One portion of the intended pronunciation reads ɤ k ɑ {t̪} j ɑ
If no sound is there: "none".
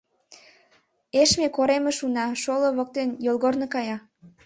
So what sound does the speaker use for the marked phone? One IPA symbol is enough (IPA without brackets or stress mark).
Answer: none